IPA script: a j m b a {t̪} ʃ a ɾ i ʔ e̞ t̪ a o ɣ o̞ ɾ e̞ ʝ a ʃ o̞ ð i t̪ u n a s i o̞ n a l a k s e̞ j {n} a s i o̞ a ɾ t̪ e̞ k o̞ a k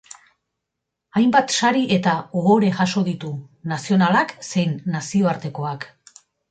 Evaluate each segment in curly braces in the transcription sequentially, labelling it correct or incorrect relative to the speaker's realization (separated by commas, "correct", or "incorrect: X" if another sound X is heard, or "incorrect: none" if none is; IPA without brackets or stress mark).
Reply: correct, incorrect: nː